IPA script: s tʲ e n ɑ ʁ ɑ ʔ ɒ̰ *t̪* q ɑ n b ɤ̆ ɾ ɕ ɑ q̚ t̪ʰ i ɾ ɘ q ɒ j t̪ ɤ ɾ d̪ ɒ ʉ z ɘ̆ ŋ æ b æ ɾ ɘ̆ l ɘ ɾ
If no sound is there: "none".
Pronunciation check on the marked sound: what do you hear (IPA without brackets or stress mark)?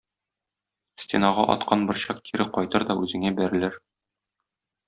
t̪